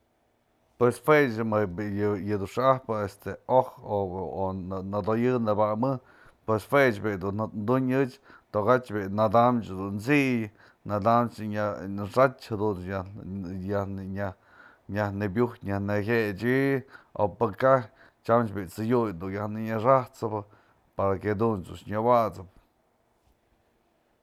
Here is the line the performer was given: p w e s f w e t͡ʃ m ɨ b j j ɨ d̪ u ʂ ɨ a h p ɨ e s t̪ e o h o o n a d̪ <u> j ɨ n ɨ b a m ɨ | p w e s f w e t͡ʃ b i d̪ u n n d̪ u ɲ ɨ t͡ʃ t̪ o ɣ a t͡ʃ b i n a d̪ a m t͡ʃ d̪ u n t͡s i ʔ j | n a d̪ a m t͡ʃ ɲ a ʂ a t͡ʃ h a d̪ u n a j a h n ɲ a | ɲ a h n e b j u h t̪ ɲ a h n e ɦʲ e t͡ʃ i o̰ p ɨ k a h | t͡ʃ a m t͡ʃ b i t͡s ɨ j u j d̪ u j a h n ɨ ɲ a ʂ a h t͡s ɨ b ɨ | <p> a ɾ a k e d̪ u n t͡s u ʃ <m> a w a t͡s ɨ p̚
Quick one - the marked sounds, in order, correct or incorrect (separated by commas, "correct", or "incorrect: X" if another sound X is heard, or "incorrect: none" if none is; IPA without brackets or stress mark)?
incorrect: o, correct, incorrect: ɲ